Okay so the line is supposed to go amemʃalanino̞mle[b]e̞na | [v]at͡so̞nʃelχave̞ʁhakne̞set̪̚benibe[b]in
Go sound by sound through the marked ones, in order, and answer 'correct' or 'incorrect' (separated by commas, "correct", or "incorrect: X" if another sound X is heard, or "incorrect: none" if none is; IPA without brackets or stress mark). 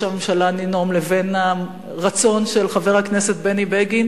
incorrect: v, incorrect: ʁ, incorrect: ɡ